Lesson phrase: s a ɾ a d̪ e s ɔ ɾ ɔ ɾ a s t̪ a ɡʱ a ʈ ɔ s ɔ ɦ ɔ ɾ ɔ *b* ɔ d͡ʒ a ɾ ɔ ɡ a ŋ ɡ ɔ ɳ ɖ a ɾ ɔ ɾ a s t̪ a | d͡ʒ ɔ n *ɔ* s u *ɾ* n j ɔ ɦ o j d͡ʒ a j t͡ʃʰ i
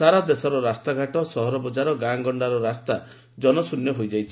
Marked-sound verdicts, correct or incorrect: correct, correct, incorrect: none

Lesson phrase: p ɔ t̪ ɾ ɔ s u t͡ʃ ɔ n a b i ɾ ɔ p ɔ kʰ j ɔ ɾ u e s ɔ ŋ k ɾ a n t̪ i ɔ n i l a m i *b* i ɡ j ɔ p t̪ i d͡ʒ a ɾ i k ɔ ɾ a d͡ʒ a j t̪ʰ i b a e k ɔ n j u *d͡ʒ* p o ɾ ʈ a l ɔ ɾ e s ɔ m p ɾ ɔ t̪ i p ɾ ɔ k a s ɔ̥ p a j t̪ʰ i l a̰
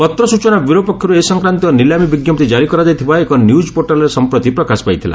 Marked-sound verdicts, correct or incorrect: correct, correct

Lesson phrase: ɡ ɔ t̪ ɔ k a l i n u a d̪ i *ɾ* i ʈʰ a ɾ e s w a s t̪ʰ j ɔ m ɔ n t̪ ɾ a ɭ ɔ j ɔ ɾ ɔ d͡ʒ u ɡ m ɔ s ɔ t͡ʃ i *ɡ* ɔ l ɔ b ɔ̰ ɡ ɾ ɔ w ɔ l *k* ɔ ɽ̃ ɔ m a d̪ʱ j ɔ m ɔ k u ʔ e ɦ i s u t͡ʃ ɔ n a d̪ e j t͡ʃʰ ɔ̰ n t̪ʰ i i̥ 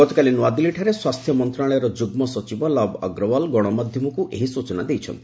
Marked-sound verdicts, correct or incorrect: incorrect: l, incorrect: b, incorrect: ɡ

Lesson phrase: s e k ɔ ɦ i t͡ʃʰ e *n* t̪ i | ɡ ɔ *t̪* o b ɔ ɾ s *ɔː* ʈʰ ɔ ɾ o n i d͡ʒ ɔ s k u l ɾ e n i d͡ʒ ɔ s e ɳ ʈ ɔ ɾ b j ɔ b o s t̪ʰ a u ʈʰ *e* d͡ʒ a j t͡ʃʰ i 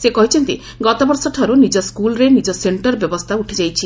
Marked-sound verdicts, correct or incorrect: correct, correct, incorrect: ɔ, correct

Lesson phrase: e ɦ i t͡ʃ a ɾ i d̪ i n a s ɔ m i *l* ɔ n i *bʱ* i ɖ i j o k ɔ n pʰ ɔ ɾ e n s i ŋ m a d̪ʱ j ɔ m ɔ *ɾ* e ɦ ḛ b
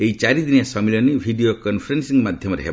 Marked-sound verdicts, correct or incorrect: correct, correct, correct

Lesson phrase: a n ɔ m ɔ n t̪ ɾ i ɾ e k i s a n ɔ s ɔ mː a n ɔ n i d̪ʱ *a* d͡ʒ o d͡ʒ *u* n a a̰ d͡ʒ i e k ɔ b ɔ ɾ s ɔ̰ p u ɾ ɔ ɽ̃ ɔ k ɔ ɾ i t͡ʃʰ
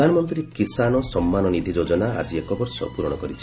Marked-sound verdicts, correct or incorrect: incorrect: i, incorrect: ɔ

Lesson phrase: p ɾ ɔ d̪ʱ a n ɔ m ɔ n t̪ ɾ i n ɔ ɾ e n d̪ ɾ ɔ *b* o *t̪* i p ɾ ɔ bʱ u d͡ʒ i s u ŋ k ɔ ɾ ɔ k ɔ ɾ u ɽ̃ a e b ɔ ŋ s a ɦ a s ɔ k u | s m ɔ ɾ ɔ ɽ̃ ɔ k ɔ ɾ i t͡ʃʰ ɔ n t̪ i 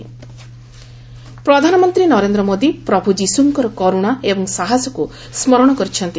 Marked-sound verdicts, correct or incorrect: incorrect: m, incorrect: d̪

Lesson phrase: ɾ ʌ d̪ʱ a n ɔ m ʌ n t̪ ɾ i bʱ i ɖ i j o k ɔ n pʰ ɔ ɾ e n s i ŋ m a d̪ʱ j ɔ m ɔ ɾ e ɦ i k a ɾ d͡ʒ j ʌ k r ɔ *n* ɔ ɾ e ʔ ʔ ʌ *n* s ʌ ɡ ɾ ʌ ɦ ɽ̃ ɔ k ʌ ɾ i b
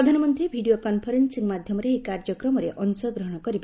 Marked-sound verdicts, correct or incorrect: incorrect: m, correct

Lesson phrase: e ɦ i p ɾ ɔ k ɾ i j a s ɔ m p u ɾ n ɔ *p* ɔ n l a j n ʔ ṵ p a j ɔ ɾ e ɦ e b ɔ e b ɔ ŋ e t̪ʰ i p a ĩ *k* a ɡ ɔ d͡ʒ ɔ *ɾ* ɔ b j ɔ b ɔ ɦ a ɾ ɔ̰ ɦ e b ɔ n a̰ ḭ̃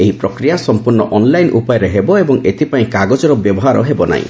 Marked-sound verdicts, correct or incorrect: incorrect: ʔ, correct, correct

